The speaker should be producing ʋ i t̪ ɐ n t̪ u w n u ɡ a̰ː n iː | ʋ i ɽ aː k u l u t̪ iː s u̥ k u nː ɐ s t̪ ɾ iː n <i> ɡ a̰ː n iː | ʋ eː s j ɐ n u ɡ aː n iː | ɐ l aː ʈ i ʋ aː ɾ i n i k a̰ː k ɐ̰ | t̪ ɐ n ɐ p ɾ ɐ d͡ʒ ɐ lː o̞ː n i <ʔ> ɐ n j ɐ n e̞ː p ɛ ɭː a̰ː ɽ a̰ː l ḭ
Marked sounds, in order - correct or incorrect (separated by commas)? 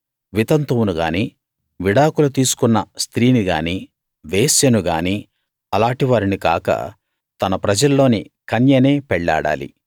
correct, incorrect